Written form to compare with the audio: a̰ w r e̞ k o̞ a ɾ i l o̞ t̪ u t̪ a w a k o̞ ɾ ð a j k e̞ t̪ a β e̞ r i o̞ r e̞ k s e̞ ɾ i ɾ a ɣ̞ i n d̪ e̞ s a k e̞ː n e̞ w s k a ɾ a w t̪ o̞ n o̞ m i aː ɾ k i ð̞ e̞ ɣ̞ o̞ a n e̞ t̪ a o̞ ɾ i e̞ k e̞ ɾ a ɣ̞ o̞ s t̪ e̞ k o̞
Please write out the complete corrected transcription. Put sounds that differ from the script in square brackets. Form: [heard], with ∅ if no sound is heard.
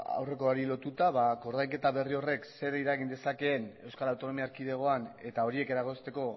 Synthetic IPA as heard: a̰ w r e̞ k o̞ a ɾ i l o̞ t̪ u t̪ a [β] a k o̞ ɾ ð a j k e̞ t̪ a β e̞ r i o̞ r e̞ k s e̞ ɾ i ɾ a ɣ̞ i n d̪ e̞ s a k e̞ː n e̞ w s k a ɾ a w t̪ o̞ n o̞ m i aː ɾ k i ð̞ e̞ ɣ̞ o̞ a n e̞ t̪ a o̞ ɾ i e̞ k e̞ ɾ a ɣ̞ o̞ s t̪ e̞ k o̞